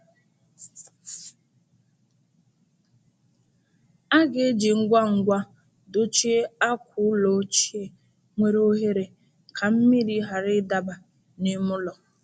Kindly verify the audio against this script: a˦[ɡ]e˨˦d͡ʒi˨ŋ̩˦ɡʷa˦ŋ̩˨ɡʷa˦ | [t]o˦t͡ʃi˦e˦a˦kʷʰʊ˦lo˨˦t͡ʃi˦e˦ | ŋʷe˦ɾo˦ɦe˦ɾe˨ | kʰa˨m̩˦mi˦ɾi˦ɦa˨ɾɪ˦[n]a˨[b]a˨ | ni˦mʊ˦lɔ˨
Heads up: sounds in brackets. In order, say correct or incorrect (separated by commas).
correct, incorrect, incorrect, correct